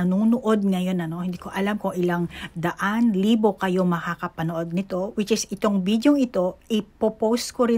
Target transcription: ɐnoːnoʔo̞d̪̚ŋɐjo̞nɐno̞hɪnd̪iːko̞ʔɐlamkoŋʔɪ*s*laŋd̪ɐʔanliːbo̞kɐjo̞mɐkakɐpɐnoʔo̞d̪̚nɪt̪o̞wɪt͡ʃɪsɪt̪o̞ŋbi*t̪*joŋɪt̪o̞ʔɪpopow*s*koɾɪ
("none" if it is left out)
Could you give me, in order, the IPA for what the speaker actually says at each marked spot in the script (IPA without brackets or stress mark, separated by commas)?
none, d̪, s